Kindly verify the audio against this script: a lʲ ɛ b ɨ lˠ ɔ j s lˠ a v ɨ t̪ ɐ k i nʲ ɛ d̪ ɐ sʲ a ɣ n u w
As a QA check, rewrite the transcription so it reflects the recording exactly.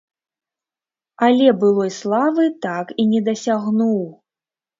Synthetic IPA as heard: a lʲ ɛ b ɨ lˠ ɔ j s lˠ a v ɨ t̪ a k i nʲ ɛ d̪ ɐ sʲ a ɣ n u w

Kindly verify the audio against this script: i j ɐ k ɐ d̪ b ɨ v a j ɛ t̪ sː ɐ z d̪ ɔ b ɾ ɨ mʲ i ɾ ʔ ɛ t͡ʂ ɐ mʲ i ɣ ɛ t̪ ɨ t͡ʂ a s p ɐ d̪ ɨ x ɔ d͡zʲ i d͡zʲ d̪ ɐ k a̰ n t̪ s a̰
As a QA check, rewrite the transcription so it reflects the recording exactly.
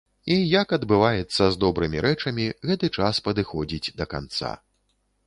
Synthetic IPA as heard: i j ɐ k ɐ d̪ b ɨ v a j ɛ t̪ sː ɐ z d̪ ɔ b ɾ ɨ mʲ i ɾ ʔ ɛ t͡ʂ ɐ mʲ i ɣ ɛ t̪ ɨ t͡ʂ a s p ɐ d̪ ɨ x ɔ d͡zʲ i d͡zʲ d̪ ɐ k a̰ n t̪ s a̰

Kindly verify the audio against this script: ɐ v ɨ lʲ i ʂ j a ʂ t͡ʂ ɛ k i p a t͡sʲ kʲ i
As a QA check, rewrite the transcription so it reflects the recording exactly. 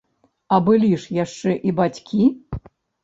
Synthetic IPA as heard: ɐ b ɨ lʲ i ʂ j a ʂ t͡ʂ ɛ ʔ i b a t͡sʲ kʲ i

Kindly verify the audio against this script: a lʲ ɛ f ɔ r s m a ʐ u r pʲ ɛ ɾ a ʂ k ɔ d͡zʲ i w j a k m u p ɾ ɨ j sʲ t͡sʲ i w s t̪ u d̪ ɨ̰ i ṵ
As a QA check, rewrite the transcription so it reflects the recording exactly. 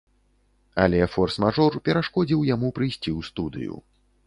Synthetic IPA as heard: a lʲ ɛ f ɔ r s m a ʐ ɔ r pʲ ɛ ɾ a ʂ k ɔ d͡zʲ i w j a m u p ɾ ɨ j sʲ t͡sʲ i w s t̪ u d̪ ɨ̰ j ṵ

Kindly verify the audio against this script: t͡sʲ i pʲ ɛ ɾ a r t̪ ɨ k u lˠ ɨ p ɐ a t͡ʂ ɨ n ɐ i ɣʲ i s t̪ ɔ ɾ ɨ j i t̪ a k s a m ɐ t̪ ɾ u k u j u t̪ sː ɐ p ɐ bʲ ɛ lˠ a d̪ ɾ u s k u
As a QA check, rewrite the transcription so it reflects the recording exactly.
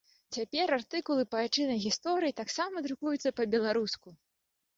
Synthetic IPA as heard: t͡sʲ a pʲ ɛ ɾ a r t̪ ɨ k u lˠ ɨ p ɐ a t͡ʂ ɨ n ɐ j ɣʲ i s t̪ ɔ ɾ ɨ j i t̪ a k s a m ɐ d̪ ɾ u k u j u t̪ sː ɐ p ɐ bʲ ɛ lˠ a ɾ u s k u

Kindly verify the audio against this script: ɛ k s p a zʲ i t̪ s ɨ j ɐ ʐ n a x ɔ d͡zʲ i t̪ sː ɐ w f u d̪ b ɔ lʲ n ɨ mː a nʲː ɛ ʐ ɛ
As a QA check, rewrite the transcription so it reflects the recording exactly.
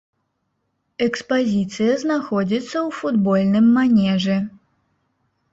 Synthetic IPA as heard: ɛ k s p a zʲ i t̪ s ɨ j ɐ z n a x ɔ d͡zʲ i t̪ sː ɐ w f u d̪ b ɔ lʲ n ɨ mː a nʲ ɛ ʐ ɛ

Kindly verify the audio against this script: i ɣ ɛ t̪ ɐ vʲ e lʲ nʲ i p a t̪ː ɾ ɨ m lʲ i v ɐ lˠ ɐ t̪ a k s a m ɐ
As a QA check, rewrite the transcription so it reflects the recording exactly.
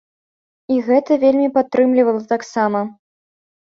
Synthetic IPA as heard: i ɣ ɛ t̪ ɐ vʲ e lʲ mʲ i p a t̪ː ɾ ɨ m lʲ i v ɐ lˠ ɐ t̪ a k s a m ɐ

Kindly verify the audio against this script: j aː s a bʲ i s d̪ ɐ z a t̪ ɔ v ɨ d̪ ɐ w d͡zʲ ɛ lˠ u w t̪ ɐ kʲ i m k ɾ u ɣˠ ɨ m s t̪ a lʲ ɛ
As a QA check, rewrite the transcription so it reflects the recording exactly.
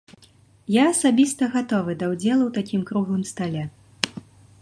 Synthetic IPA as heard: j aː s a bʲ i s t̪ ɐ ɣ a t̪ ɔ v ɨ d̪ ɐ w d͡zʲ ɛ lˠ u w t̪ a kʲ i m k ɾ u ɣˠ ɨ m s t̪ a lʲ ɛ

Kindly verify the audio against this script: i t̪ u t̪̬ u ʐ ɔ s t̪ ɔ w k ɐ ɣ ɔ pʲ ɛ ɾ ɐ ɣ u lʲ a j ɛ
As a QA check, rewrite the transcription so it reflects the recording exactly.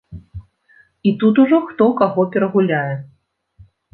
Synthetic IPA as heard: i t̪ u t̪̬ u ʐ ɔ x t̪ ɔ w k a ɣ ɔ pʲ ɛ ɾ ɐ ɣ u lʲ a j ɛ

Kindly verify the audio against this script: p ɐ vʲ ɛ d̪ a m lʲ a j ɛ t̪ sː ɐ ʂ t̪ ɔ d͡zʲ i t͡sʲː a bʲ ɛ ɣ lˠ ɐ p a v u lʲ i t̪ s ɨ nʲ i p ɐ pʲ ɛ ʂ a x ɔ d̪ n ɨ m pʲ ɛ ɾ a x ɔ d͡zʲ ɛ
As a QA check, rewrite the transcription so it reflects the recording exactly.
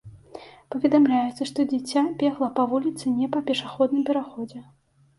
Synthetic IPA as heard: p ɐ vʲ ɛ d̪ a m lʲ a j ɛ t̪ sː ɐ ʂ t̪ ɔ d͡zʲ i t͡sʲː a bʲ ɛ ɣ lˠ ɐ p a v u lʲ i t̪ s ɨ nʲ ɛ p ɐ pʲ ɛ ʂ a x ɔ d̪ n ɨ m pʲ ɛ ɾ a x ɔ d͡zʲ ɛ

